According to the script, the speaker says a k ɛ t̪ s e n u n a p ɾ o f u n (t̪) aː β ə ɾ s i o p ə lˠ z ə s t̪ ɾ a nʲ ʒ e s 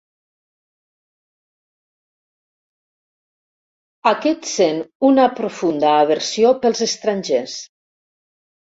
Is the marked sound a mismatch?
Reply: yes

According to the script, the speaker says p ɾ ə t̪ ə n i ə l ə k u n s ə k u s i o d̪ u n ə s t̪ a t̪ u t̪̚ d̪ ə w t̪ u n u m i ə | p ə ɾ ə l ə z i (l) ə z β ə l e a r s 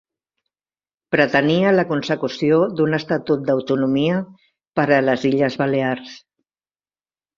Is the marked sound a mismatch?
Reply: yes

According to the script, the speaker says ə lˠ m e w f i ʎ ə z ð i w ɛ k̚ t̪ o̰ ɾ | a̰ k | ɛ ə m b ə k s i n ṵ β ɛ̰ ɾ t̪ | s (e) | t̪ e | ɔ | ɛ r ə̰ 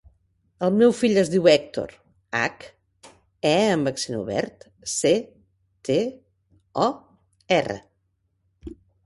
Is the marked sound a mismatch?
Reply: no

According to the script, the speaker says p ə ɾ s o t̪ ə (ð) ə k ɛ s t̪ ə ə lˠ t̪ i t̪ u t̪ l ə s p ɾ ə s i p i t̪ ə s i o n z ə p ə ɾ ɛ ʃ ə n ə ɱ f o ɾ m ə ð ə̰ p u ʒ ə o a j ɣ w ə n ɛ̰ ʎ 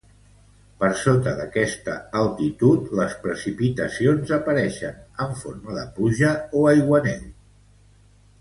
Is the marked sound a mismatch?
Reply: no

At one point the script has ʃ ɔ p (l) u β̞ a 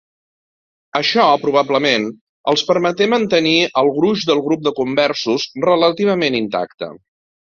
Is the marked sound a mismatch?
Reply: yes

